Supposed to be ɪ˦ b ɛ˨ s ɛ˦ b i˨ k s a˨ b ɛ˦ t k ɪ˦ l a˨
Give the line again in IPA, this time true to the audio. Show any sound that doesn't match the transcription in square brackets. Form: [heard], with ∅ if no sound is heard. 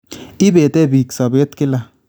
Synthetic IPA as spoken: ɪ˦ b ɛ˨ [t] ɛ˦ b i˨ k s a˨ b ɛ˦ t k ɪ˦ l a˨